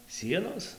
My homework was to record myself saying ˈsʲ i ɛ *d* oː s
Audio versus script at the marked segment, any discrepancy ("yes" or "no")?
yes